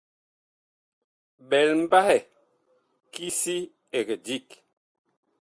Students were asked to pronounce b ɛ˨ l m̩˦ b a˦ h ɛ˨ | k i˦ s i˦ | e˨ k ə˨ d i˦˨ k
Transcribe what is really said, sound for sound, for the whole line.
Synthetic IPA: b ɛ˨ l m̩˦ b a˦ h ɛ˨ | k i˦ s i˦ | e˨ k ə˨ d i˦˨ k